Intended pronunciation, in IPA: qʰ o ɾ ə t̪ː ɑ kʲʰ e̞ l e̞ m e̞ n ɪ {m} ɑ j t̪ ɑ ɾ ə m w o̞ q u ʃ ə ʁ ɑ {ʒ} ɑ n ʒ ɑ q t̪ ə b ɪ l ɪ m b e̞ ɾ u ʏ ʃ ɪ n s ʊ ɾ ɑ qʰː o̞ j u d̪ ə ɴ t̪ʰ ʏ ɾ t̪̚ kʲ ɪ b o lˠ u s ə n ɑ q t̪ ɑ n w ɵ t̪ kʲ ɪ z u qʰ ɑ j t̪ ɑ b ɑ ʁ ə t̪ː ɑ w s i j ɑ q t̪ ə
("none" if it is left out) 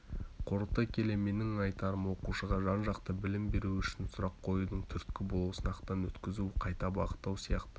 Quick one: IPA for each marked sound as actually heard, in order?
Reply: ŋ, ʒ

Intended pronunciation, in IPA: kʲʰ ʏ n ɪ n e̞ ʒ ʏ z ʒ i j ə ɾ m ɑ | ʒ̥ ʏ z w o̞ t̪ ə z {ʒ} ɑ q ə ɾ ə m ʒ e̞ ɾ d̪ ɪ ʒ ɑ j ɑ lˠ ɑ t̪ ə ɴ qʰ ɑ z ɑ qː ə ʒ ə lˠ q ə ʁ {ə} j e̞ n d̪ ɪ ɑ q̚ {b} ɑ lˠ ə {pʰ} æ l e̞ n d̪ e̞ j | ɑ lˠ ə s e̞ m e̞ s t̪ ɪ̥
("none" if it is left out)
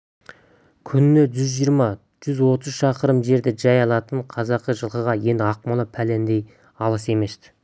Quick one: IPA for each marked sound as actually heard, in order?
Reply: ʃ, ɑ, m, pʰ

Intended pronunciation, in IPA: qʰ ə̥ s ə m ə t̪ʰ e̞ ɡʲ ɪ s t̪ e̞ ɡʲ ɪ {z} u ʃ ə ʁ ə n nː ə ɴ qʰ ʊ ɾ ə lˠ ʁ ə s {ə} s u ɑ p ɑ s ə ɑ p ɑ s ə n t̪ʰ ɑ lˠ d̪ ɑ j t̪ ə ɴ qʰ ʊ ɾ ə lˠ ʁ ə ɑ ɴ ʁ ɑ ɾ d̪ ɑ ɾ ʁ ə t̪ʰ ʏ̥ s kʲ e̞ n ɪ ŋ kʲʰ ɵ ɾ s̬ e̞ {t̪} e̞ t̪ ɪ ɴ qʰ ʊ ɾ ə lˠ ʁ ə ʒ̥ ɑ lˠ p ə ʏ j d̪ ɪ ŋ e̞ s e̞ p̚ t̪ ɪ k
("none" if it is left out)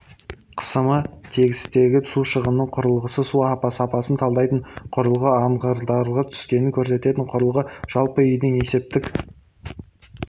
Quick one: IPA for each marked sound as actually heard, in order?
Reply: s, ə, t̪

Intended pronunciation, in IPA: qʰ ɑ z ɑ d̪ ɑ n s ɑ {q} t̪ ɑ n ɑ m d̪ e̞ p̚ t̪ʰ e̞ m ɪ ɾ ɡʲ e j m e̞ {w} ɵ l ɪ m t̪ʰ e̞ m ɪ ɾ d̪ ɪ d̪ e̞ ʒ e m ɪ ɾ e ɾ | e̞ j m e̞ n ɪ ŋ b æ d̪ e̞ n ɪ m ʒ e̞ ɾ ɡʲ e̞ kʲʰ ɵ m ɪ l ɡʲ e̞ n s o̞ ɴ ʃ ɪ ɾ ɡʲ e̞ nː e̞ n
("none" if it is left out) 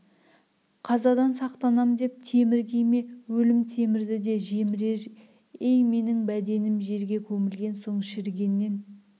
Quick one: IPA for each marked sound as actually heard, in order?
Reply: q, w

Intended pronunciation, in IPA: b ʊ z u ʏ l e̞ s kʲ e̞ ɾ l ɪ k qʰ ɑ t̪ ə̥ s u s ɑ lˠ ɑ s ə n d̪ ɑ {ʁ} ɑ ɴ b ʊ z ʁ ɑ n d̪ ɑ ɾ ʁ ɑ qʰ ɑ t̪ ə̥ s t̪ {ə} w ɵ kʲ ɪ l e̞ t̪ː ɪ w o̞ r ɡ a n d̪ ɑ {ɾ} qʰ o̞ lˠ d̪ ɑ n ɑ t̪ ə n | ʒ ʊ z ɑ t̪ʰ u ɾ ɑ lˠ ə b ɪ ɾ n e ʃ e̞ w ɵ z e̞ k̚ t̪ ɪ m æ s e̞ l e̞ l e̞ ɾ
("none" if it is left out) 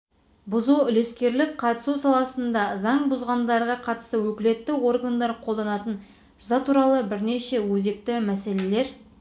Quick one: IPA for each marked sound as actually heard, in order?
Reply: z, ə, ɾ

